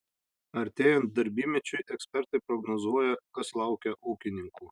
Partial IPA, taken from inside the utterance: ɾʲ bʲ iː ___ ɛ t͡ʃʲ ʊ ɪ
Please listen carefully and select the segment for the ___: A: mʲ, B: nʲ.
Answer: A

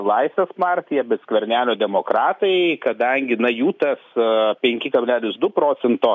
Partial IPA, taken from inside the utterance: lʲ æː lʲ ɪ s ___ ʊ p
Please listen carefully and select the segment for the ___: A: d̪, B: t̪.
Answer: A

